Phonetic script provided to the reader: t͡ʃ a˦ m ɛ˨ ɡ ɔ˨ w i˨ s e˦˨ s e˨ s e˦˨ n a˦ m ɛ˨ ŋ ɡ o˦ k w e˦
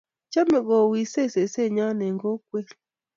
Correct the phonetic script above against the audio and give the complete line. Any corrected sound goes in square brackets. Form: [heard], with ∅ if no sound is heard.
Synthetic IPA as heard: t͡ʃ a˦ m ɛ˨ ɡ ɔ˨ w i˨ s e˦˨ s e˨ s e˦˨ [ɲ] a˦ [n] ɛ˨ ŋ ɡ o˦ k w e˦